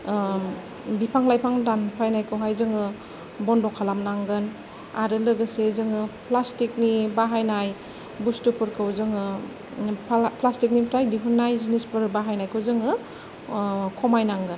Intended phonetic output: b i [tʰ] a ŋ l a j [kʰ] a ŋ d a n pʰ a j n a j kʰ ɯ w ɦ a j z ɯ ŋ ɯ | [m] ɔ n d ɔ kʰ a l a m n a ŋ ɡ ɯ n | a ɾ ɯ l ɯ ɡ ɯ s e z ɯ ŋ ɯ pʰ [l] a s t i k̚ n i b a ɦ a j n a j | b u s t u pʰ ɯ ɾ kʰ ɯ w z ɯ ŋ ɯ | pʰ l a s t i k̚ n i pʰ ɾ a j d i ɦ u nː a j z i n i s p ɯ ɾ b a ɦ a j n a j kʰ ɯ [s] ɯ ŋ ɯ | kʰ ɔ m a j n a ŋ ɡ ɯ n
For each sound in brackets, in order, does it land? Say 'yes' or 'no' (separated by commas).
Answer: no, no, no, yes, no